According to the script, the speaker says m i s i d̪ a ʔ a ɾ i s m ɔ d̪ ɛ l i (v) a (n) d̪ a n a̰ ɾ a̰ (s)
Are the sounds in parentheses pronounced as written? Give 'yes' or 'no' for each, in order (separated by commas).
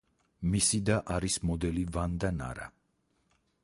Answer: yes, yes, no